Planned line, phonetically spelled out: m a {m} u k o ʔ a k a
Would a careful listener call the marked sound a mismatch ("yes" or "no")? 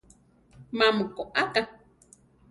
no